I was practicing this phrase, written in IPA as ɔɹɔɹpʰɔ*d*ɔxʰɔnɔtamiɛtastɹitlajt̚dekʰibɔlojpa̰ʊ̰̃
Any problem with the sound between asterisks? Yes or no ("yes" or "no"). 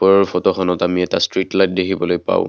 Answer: yes